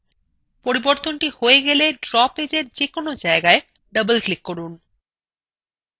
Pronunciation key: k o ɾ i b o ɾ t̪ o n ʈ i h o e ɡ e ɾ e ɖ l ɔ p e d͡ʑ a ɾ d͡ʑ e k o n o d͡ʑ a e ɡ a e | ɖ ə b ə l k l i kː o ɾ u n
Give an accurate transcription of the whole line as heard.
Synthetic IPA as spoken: p o ɾ i b o ɾ t̪ o n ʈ i h o e ɡ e l e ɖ ɾ ɔ p e d͡ʑ e ɾ d͡ʑ e k o n o d͡ʑ a e ɡ a e | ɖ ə b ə l k l i kː o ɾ u n

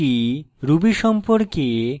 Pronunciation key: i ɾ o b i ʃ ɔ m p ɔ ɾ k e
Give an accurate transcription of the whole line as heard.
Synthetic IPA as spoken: i ɾ u b i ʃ ɔ m p o ɾ k e

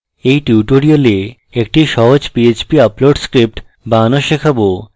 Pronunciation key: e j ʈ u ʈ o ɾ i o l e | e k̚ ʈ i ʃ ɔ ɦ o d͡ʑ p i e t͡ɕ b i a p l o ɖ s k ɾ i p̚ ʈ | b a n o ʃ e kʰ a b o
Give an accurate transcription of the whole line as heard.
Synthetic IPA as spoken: e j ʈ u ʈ o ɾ i o l e | e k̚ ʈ i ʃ ɔ ɦ o d͡ʑ p i e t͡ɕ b i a p l o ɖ s k ɾ i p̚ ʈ | b a n o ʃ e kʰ a b o

